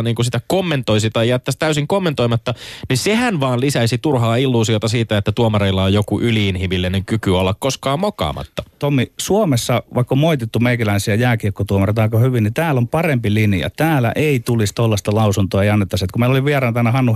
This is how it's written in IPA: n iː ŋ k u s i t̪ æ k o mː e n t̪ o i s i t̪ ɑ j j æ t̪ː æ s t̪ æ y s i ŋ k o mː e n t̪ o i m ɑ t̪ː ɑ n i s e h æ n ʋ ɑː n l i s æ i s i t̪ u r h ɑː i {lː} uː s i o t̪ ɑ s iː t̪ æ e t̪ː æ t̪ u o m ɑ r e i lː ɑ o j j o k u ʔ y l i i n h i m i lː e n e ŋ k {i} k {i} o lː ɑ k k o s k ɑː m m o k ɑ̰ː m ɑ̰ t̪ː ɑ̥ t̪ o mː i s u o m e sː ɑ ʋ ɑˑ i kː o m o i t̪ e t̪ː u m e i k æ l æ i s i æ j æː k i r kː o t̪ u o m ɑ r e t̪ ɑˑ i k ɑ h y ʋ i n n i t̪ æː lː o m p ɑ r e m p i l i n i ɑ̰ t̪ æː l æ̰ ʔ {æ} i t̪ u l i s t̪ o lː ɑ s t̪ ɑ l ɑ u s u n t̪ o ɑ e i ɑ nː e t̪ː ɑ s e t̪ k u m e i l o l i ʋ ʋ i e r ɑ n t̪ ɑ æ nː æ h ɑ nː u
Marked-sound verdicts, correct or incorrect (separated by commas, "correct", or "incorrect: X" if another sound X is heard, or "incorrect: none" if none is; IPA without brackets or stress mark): correct, incorrect: y, incorrect: y, incorrect: e